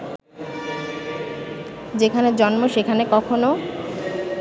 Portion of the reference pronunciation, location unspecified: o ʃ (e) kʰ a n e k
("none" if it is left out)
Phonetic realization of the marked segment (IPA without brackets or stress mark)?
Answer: e